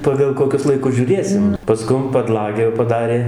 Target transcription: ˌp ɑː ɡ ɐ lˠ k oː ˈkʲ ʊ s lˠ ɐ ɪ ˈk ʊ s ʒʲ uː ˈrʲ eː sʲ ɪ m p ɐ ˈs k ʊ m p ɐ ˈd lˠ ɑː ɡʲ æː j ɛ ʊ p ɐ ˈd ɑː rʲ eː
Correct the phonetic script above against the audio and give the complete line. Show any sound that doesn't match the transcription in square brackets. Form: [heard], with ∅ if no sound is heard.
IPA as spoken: ˌp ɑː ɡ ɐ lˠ k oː ˈkʲ ʊ s lˠ ɐ ɪ ˈk ʊ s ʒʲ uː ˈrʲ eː sʲ ɪ m p ɐ ˈs k ʊ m p ɐ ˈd lˠ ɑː ɡʲ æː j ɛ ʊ p ɐ ˈd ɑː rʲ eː